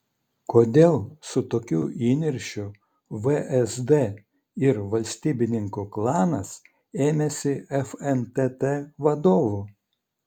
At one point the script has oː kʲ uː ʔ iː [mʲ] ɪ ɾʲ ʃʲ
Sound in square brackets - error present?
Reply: yes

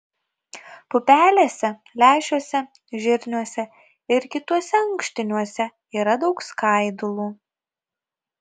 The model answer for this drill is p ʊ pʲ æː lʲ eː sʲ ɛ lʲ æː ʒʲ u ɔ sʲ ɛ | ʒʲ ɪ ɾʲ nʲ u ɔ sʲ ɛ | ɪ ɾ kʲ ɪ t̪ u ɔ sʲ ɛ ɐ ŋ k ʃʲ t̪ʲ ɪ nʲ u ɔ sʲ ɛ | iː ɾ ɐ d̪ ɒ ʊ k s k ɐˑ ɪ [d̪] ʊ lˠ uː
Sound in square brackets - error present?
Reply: no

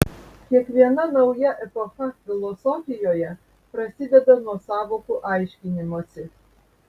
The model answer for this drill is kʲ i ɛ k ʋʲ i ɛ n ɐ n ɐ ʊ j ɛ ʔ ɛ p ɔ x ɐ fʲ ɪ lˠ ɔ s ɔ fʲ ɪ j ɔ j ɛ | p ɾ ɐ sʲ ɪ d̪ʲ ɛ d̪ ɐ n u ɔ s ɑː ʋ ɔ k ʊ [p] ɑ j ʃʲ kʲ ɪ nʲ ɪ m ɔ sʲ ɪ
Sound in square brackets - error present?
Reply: yes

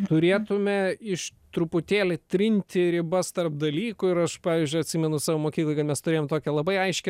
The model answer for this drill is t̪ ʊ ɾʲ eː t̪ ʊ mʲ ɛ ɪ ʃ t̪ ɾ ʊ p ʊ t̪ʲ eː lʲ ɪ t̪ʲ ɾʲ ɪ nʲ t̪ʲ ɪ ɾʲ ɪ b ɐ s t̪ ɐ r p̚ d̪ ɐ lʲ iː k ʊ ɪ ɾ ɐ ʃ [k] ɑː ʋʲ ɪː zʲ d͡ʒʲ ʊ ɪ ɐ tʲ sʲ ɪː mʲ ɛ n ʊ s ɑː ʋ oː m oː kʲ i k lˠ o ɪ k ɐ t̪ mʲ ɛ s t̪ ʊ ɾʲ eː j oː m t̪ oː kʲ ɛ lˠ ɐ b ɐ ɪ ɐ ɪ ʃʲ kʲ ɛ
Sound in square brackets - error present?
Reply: yes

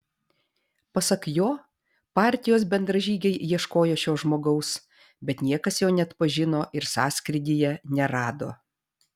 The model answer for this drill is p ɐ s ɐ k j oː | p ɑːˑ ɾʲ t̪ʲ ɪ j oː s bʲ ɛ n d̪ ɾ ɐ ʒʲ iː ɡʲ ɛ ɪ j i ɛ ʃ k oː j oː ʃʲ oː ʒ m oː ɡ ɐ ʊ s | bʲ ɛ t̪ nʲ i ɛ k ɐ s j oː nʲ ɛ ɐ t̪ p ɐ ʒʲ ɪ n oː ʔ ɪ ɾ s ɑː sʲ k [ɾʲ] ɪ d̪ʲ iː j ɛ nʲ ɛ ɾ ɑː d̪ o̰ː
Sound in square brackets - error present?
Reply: no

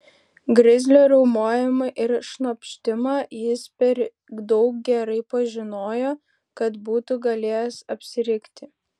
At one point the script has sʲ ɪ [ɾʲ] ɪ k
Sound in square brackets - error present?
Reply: no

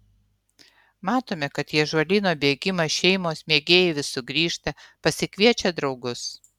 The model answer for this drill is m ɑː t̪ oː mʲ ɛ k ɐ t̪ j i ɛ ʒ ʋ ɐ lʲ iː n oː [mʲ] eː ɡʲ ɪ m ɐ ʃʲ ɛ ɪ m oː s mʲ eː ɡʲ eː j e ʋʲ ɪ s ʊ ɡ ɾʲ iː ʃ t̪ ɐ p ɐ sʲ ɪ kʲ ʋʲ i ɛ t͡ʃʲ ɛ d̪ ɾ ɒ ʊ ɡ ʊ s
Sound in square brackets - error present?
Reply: yes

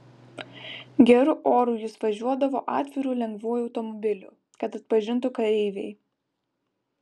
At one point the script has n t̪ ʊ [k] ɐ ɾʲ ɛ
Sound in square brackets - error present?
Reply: no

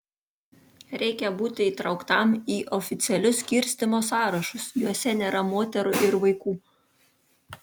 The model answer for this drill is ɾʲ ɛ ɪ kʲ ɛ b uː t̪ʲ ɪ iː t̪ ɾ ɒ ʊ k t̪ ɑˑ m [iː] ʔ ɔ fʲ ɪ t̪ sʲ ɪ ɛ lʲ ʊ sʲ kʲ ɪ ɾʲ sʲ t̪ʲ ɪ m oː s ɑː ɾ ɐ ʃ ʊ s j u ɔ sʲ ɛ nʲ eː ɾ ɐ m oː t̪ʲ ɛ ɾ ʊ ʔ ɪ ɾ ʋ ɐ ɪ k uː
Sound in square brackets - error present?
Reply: no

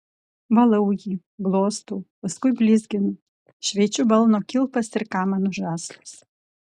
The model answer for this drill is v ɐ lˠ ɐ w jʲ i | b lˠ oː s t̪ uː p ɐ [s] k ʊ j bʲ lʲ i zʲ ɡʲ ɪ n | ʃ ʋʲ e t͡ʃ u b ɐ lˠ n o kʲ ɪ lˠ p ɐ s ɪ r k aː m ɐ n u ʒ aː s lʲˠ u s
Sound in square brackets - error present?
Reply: no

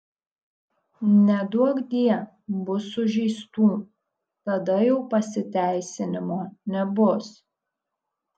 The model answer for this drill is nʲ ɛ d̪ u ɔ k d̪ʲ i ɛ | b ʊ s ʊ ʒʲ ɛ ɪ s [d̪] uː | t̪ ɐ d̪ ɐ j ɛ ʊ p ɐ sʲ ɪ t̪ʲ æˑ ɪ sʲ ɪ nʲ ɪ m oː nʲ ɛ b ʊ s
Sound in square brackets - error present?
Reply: yes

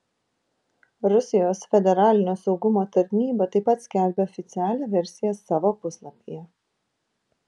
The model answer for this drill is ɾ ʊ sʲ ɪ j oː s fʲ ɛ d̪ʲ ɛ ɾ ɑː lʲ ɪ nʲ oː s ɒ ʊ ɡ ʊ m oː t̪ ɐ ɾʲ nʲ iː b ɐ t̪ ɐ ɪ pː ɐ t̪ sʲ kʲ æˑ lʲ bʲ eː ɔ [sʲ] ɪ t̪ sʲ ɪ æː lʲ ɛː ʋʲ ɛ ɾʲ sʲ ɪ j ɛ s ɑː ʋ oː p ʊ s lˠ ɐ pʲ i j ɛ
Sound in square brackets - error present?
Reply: yes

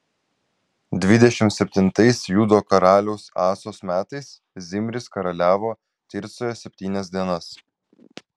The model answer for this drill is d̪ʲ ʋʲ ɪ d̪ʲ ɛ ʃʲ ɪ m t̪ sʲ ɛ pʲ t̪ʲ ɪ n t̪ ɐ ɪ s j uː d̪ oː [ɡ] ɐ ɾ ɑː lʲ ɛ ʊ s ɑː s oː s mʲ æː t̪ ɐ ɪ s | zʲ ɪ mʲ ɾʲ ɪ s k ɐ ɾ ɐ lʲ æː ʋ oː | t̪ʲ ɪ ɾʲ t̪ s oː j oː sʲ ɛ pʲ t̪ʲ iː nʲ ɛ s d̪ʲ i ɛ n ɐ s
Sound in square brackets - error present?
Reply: yes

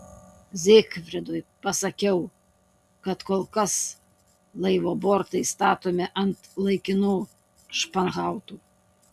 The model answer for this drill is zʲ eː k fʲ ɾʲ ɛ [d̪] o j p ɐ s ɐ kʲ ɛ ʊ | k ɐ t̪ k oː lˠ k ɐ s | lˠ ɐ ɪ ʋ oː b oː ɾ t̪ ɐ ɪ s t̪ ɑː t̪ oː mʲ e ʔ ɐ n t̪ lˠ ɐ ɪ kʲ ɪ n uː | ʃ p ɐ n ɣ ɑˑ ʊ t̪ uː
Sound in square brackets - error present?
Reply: no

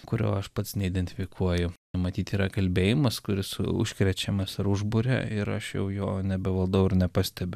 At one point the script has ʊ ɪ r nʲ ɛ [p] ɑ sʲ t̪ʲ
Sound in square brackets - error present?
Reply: no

